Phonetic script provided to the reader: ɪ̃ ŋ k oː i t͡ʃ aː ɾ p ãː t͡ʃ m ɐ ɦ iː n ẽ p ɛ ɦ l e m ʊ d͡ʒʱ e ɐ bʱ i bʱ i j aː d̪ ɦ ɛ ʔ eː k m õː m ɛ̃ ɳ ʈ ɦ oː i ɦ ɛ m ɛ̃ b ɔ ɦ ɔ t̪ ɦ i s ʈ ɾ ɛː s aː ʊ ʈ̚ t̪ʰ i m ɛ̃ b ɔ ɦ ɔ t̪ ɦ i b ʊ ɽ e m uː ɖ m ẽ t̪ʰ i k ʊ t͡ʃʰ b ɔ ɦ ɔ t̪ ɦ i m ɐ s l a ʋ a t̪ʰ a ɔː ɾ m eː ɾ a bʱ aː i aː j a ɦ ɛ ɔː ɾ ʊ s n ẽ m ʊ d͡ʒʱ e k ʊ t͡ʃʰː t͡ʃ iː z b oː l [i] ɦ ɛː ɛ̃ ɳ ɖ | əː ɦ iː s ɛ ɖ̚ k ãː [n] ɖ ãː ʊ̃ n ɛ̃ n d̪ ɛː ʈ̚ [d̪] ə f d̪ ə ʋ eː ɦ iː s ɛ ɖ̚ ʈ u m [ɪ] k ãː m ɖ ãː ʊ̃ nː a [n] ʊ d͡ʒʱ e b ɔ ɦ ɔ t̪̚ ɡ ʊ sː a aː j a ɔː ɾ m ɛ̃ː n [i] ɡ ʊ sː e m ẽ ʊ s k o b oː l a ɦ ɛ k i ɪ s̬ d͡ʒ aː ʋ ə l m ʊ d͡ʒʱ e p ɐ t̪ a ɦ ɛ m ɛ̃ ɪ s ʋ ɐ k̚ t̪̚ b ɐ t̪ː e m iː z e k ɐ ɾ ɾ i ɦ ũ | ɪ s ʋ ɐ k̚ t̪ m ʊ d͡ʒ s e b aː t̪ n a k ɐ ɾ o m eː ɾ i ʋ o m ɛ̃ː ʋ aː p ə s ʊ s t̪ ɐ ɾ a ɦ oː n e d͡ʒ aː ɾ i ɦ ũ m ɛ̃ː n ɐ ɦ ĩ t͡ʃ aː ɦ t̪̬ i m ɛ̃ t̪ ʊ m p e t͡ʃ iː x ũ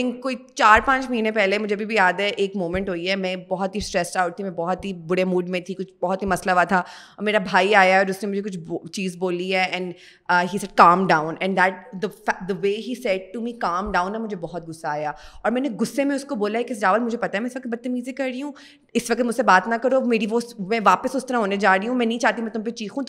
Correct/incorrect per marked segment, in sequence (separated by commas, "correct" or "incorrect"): correct, incorrect, correct, incorrect, incorrect, incorrect